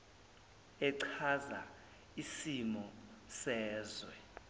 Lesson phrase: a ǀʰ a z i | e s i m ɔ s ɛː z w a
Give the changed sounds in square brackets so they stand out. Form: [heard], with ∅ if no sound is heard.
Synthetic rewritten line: [ɛ] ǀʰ a z [a] | [i] s i m ɔ s ɛː z w [ɛ]